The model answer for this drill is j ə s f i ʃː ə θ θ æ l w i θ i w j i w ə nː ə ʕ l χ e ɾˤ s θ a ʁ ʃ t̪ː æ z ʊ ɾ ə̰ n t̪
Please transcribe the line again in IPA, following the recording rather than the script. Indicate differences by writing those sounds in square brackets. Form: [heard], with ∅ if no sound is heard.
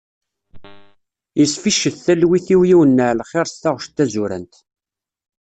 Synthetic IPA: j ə s f i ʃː ə θ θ æ l w i θ i w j i w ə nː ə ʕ l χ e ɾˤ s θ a ʁ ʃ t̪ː æ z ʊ ɾ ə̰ n t̪